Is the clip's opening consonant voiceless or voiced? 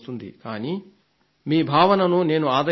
voiceless